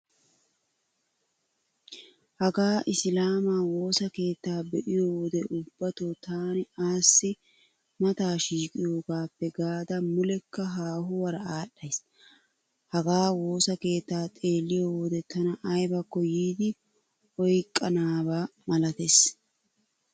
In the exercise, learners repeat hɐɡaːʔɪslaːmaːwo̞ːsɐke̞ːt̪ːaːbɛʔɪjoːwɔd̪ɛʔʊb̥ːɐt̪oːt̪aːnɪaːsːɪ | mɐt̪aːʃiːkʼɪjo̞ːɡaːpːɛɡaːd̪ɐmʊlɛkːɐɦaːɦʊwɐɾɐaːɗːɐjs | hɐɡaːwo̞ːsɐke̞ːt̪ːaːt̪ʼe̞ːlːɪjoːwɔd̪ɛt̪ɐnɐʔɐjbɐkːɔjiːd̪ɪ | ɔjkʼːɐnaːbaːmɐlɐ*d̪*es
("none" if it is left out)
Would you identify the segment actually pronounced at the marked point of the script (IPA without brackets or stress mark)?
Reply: t̪